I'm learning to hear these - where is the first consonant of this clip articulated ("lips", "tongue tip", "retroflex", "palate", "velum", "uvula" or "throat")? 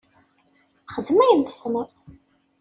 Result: uvula